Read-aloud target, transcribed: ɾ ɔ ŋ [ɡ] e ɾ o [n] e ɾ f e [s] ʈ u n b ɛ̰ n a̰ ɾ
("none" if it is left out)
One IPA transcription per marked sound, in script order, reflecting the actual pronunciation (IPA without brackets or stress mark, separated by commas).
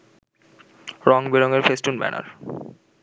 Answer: b, ŋ, s